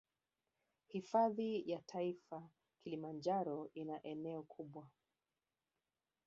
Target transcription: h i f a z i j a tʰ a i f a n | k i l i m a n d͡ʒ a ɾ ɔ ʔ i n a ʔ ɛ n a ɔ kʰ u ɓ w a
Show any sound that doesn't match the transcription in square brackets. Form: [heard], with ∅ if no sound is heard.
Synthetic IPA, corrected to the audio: h i f a [ð] i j a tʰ a i f a [∅] | k i l i m a n d͡ʒ a ɾ ɔ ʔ i n a ʔ ɛ n [ɛ] ɔ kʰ u ɓ w a